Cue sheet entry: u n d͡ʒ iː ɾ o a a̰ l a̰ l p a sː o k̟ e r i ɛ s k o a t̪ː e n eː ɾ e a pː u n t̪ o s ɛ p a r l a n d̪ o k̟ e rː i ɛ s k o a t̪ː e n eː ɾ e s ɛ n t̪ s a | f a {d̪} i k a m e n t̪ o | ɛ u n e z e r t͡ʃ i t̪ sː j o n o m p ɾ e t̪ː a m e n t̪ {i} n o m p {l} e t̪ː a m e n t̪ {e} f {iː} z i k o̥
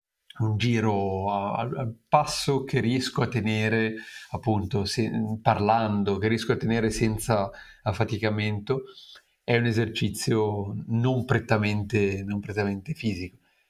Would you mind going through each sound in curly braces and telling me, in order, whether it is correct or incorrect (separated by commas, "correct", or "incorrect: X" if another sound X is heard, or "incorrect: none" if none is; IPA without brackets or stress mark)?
incorrect: t̪, incorrect: e, incorrect: ɾ, correct, correct